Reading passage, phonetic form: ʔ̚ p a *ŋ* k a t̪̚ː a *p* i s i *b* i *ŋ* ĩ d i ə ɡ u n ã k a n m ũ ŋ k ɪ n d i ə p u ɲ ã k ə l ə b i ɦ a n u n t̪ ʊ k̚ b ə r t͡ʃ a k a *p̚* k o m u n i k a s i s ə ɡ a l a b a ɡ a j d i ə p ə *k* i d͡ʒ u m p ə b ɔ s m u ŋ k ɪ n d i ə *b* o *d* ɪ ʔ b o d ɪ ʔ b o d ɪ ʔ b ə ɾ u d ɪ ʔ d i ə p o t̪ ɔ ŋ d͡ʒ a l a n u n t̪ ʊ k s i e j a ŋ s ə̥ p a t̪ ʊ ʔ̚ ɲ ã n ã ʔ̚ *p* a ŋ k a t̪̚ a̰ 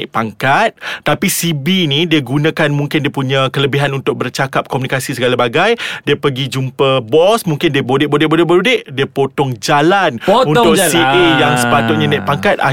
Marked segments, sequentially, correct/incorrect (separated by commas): correct, correct, correct, incorrect, correct, incorrect, correct, correct, correct